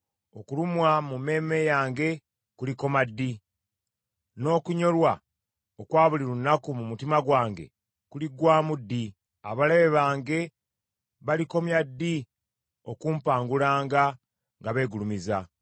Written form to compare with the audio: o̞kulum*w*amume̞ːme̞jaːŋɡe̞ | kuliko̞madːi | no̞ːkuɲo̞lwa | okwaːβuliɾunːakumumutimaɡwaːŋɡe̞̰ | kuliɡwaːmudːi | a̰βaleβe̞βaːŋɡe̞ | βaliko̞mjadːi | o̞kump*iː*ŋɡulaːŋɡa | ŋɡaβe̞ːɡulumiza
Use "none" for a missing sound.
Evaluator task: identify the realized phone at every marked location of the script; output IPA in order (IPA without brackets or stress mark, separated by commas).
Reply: w, aː